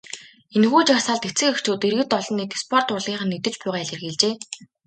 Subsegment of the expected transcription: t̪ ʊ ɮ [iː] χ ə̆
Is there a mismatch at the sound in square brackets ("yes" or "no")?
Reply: no